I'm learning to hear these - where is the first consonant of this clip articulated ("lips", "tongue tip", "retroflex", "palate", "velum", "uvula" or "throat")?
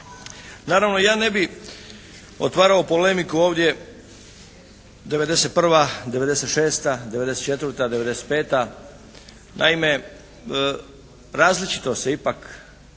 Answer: tongue tip